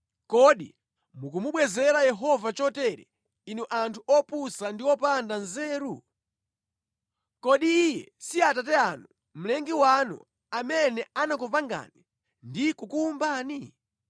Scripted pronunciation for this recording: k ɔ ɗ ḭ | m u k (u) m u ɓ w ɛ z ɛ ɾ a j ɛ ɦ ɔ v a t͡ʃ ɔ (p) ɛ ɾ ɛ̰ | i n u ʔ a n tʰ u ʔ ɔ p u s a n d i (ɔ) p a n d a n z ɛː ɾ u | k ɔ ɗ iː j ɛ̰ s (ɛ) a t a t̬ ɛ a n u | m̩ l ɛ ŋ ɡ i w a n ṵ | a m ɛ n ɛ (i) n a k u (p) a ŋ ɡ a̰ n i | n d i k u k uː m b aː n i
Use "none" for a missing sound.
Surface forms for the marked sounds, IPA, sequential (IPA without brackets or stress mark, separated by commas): u, t, ɔ, i, a, p